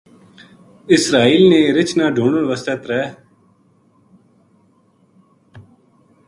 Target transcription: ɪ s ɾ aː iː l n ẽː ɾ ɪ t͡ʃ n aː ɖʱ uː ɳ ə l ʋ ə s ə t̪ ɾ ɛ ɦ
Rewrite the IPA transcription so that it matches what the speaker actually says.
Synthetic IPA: ɪ s ɾ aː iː l n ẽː ɾ ɪ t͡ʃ n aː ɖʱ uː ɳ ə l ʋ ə s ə t̪ ɾ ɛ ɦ